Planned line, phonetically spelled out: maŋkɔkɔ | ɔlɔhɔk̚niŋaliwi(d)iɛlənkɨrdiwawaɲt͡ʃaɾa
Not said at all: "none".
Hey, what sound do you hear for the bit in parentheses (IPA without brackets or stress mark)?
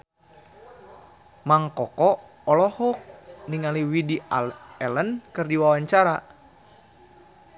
d